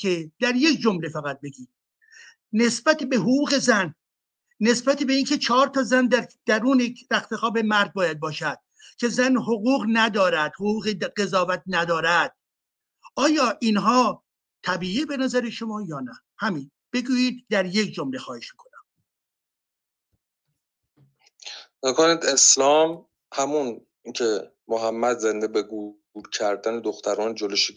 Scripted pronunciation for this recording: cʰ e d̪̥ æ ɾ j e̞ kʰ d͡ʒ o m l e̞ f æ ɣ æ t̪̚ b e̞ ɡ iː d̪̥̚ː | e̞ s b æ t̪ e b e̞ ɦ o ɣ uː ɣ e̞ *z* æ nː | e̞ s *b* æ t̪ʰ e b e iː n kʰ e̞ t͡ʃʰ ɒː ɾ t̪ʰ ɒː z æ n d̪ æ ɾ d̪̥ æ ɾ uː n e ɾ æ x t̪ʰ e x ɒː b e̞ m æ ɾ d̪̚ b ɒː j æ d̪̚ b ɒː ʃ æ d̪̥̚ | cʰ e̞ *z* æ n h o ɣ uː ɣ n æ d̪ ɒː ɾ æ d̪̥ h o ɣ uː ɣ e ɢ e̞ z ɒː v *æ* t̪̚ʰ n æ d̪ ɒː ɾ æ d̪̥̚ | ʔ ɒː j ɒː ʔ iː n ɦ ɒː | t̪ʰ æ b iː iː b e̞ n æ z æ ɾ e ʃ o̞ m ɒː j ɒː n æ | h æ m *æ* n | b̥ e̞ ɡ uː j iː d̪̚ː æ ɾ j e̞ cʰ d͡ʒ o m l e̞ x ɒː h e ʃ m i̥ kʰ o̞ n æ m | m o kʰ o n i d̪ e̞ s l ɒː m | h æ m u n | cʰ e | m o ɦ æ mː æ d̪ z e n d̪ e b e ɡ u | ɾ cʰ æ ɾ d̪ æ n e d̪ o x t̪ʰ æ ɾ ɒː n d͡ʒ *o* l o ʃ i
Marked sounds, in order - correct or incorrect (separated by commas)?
correct, correct, correct, correct, incorrect, correct